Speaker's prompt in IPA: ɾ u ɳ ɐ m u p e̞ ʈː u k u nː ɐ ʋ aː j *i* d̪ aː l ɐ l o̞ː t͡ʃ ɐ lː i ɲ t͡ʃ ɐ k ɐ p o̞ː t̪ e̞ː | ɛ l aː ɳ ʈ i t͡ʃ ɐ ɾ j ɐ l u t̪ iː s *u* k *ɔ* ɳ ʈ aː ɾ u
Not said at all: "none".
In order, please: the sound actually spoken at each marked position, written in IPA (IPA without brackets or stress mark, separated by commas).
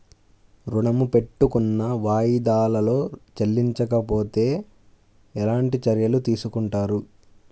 i, u, u